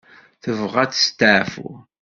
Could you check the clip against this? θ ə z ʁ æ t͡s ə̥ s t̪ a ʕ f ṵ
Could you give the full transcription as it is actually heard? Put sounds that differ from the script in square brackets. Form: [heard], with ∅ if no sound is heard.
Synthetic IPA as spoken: θ ə [v] ʁ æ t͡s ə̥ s t̪ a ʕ f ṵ

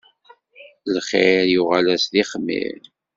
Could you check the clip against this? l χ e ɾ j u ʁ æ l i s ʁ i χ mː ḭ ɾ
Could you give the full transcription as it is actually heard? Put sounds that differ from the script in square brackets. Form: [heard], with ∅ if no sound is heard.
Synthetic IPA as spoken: l χ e ɾ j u ʁ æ l [æ] s [ð] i χ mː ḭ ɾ

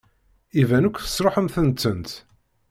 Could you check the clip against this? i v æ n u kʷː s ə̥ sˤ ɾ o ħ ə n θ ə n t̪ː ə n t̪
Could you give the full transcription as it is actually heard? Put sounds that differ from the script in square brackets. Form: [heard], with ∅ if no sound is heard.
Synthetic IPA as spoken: i v æ n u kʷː [θ] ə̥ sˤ ɾ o ħ ə [m] θ ə n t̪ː ə n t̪

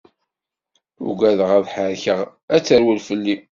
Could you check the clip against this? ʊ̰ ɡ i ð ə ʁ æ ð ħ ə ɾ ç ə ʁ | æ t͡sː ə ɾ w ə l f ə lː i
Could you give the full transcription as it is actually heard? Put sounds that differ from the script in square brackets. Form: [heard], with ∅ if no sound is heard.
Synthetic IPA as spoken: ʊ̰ ɡ [æ] ð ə ʁ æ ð ħ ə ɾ ç ə ʁ | æ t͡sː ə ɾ w ə l f ə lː i

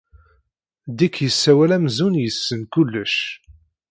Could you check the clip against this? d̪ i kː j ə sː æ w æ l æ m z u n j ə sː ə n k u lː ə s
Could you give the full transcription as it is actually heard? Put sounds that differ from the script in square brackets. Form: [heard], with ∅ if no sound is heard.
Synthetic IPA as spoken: d̪ i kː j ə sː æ w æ l æ m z u n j ə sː ə n k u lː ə [ʃ]

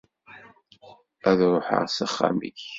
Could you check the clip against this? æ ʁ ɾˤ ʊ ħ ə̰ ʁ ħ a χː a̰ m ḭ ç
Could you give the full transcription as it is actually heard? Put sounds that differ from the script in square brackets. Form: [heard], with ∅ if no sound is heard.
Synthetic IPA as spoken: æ [ð] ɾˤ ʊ ħ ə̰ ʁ [s] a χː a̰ m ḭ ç

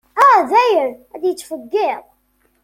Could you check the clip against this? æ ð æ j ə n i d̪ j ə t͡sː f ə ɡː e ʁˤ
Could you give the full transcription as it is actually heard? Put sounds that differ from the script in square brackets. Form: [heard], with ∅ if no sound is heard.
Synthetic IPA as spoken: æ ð æ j ə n [æ] d̪ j ə t͡sː f ə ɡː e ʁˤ

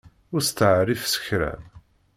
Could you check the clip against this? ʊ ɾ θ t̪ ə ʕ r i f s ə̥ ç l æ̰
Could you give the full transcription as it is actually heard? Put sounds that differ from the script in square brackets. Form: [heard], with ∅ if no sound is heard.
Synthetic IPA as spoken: ʊ ɾ [s] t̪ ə ʕ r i f s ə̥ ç [ɾ] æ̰

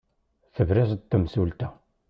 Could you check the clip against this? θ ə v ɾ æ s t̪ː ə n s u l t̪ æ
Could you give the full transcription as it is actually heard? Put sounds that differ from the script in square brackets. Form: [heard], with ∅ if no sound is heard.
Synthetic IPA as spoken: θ ə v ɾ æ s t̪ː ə [m] s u l t̪ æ

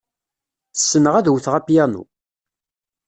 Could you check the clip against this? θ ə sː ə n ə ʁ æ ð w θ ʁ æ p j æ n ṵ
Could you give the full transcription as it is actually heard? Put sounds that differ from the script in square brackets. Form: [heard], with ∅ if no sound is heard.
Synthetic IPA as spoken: θ ə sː ə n ə ʁ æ ð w θ ʁ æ p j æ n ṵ

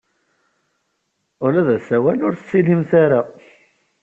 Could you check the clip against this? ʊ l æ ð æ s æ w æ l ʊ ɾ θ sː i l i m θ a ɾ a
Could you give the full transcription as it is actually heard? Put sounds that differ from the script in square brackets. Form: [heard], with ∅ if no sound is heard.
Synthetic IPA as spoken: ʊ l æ ð æ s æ w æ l ʊ ɾ θ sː i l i m θ a ɾ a

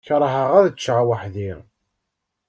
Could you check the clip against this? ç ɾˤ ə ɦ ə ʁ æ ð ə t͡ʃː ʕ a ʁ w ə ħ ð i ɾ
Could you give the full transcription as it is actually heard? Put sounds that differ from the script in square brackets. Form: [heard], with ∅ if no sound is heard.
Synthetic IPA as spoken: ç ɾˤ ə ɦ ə ʁ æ ð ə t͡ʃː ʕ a [∅] w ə ħ ð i ɾ

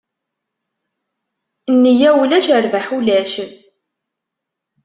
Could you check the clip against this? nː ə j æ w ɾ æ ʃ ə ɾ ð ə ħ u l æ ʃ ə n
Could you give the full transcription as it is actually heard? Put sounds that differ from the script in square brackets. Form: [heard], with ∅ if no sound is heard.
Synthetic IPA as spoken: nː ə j æ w [l] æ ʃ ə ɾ [v] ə ħ u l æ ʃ ə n

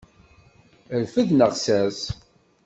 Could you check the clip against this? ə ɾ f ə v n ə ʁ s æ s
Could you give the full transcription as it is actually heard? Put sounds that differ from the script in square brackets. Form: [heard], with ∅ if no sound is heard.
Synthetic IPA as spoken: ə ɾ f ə [ð] n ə ʁ s æ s

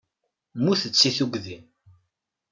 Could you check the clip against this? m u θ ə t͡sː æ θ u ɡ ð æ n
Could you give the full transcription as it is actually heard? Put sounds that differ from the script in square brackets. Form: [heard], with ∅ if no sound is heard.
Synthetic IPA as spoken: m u θ ə t͡sː [i] θ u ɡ ð [i] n

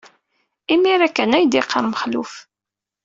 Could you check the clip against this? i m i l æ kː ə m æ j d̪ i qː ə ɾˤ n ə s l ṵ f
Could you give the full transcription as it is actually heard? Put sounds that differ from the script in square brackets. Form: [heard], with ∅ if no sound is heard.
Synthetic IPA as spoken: i m i [ɾ] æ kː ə [n] æ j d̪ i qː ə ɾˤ [m] ə [χ] l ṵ f

